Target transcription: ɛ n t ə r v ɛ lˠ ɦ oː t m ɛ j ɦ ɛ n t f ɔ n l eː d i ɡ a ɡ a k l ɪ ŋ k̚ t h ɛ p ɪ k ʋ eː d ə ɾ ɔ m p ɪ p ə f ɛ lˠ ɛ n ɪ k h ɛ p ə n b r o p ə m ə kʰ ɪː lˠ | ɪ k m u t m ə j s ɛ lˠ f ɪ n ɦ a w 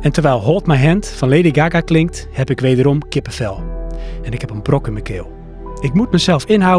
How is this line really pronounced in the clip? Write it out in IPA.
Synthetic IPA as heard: ɛ n t ə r ʋ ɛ lˠ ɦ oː t m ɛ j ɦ ɛ n t f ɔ n l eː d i ɡ a ɡ a k l ɪ ŋ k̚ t h ɛ p ɪ k ʋ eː d ə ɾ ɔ m k ɪ p ə f ɛ lˠ ɛ n ɪ k h ɛ p ə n b r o k ə m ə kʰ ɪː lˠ | ɪ k m u t m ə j s ɛ lˠ f ɪ n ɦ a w